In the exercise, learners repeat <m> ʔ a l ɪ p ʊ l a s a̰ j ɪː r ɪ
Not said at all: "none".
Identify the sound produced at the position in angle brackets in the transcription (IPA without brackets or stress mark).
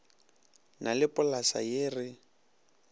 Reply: n